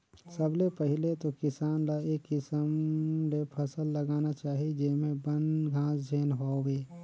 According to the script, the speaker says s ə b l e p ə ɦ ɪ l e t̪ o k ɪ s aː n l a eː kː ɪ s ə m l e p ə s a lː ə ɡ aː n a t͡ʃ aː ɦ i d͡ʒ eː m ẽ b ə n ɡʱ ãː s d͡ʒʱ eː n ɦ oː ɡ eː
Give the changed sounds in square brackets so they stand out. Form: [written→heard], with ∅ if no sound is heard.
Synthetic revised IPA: s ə b l e p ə ɦ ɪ l e t̪ o k ɪ s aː n l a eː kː ɪ s ə m l e [p→pʰ] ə s [a→ə] lː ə ɡ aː n a t͡ʃ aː ɦ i d͡ʒ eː m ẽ b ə n ɡʱ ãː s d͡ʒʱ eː n ɦ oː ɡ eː

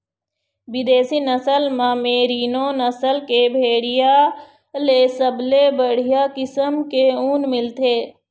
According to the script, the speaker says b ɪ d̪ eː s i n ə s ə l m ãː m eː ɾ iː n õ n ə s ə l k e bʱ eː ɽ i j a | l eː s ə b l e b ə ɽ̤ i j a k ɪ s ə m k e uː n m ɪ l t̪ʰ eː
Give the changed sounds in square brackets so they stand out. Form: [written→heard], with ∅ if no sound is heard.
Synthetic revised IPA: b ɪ d̪ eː s i n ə s ə l m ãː m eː ɾ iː n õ n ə s ə l k e bʱ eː ɽ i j a | l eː s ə b l e b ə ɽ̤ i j a k ɪ s ə m k e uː n m ɪ l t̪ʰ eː

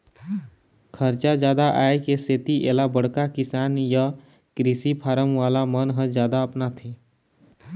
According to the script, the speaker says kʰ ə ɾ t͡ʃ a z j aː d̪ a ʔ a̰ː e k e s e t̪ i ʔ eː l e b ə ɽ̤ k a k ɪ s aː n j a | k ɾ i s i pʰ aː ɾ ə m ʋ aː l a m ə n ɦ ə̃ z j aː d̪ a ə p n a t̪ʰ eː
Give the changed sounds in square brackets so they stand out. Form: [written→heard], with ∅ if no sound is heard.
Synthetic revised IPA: kʰ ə ɾ t͡ʃ a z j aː d̪ a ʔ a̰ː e k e s e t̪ i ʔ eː l [e→a] b ə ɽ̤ k a k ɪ s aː n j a | k ɾ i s i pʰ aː ɾ ə m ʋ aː l a m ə n ɦ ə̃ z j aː d̪ a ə p n a t̪ʰ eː

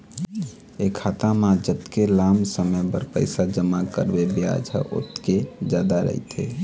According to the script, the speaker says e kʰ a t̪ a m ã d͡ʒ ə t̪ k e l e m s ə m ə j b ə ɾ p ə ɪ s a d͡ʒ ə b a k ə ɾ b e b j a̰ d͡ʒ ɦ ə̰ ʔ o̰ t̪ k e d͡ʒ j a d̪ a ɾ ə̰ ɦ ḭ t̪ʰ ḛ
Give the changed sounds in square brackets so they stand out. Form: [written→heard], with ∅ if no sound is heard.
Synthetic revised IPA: e kʰ a t̪ a m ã d͡ʒ ə t̪ k e l [e→a] m s ə m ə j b ə ɾ p ə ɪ s a d͡ʒ ə [b→m] a k ə ɾ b e b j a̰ d͡ʒ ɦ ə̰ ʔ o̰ t̪ k e d͡ʒ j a d̪ a ɾ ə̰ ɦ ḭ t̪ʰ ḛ

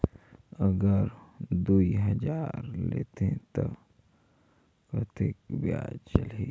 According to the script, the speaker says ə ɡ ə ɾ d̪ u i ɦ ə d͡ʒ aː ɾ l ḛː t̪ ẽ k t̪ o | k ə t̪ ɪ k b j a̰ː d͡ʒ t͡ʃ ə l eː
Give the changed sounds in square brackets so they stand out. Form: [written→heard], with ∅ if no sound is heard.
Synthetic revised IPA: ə ɡ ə ɾ d̪ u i ɦ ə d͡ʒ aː ɾ l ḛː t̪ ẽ [k→∅] t̪ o | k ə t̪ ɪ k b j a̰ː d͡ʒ t͡ʃ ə l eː

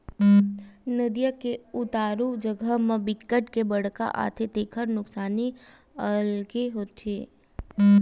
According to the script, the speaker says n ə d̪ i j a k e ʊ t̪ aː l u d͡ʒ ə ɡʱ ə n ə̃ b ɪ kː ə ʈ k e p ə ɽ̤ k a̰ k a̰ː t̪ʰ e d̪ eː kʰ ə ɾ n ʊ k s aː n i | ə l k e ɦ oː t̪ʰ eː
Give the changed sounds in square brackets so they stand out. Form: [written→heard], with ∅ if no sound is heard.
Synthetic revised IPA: n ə d̪ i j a k e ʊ t̪ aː [l→ɾ] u d͡ʒ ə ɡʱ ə [n→m] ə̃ b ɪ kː ə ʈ k e [p→b] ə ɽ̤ k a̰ [k→ʔ] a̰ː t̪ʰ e [d̪→t̪] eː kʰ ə ɾ n ʊ k s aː n i | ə l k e ɦ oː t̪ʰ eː

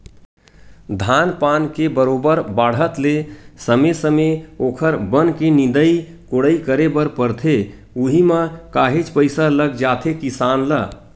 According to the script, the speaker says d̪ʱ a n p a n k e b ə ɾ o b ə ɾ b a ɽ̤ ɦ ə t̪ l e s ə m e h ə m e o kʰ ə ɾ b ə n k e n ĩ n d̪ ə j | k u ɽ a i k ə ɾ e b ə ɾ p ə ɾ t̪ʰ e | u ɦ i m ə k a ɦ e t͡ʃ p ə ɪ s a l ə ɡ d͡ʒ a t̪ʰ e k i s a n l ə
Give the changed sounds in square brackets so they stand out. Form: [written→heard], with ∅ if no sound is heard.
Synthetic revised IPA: d̪ʱ a n p a n k e b ə ɾ o b ə ɾ b a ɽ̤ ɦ ə t̪ l e s ə m e [h→s] ə m e o kʰ ə ɾ b ə n k e n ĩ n d̪ ə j | k [u→o] ɽ [a→ə] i k ə ɾ e b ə ɾ p ə ɾ t̪ʰ e | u ɦ i m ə k a ɦ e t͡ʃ p ə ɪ s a l ə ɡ d͡ʒ a t̪ʰ e k i s a n l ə

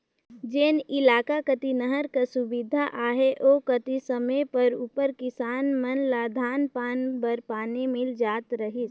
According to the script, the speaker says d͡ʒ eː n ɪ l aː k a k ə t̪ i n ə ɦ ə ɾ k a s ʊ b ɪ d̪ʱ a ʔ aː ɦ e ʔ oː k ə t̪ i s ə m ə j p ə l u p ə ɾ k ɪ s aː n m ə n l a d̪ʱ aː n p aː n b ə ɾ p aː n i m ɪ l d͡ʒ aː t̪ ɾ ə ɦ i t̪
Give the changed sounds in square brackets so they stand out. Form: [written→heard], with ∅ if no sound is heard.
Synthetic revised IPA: d͡ʒ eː n ɪ l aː k a k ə t̪ i n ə ɦ ə ɾ k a s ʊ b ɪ d̪ʱ a ʔ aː ɦ e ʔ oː k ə t̪ i s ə m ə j p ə [l→ɾ] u p ə ɾ k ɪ s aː n m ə n l a d̪ʱ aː n p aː n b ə ɾ p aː n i m ɪ l d͡ʒ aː t̪ ɾ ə ɦ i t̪

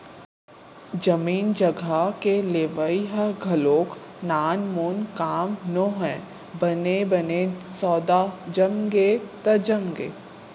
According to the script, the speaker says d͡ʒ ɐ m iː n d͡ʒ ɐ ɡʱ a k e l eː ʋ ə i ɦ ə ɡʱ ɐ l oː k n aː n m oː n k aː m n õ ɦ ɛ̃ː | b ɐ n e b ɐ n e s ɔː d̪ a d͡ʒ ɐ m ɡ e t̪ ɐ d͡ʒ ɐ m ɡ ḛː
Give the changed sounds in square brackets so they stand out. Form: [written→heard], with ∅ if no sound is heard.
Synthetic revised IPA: d͡ʒ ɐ m iː n d͡ʒ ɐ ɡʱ a k e l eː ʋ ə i ɦ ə ɡʱ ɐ l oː k n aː n m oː n k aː m n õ ɦ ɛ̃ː | b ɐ n e b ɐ n e s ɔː d̪ a d͡ʒ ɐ m ɡ e t̪ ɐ d͡ʒ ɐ m ɡ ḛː

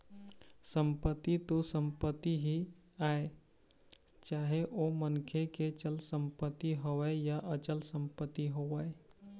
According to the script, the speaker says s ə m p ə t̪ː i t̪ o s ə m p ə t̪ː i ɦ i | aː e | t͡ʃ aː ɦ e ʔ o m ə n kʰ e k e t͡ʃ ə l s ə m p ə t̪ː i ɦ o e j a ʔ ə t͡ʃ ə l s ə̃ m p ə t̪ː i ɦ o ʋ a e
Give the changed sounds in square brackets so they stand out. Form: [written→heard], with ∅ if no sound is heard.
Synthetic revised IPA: s ə m p ə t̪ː i t̪ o s ə m p ə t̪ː i ɦ i | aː e | t͡ʃ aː ɦ e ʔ o m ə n kʰ e k e t͡ʃ ə l s ə m p ə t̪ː i ɦ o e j a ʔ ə t͡ʃ ə l s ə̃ m p ə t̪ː i ɦ o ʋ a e

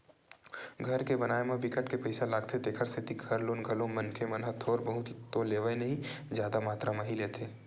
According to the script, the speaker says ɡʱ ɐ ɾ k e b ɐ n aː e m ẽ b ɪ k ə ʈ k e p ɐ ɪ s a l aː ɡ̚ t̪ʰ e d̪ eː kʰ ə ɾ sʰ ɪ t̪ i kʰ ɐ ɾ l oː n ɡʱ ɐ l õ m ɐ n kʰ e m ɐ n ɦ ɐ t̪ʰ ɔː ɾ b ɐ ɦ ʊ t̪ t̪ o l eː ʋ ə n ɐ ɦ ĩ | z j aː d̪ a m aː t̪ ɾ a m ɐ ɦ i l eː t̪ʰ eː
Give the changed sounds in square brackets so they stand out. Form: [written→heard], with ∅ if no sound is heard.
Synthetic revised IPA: ɡʱ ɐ ɾ k e b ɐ n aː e m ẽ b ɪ k ə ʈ k e p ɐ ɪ s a l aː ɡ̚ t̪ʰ e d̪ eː kʰ ə ɾ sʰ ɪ t̪ i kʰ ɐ ɾ l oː n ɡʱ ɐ l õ m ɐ n kʰ e m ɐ n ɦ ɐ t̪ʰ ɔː ɾ b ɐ ɦ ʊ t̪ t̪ o l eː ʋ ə n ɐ ɦ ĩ | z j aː d̪ a m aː t̪ ɾ a m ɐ ɦ i l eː t̪ʰ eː

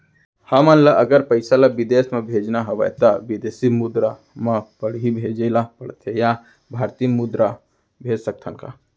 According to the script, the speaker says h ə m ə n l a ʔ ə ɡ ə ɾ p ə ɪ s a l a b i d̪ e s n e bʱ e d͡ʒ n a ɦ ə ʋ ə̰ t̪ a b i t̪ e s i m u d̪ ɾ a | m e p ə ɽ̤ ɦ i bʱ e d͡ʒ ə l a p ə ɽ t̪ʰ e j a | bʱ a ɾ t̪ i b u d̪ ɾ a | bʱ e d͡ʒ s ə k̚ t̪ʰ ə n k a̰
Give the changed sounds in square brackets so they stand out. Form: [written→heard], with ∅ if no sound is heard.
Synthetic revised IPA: h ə m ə n l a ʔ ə ɡ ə ɾ p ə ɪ s a l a b i d̪ e s [n→m] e bʱ e d͡ʒ n a ɦ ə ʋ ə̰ t̪ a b i [t̪→d̪] e s i m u d̪ ɾ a | m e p ə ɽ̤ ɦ i bʱ e d͡ʒ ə l a p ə ɽ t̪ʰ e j a | bʱ a ɾ t̪ i [b→m] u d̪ ɾ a | bʱ e d͡ʒ s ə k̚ t̪ʰ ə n k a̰

